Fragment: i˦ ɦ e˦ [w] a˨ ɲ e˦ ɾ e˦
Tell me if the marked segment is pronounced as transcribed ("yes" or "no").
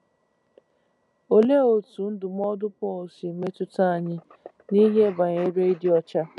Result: no